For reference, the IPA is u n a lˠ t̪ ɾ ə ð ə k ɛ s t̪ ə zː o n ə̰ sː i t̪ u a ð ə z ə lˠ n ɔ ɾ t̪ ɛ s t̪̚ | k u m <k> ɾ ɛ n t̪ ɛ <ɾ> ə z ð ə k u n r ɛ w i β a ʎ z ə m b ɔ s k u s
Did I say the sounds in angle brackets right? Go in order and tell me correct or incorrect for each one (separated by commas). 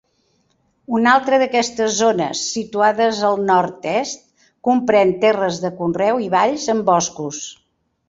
incorrect, incorrect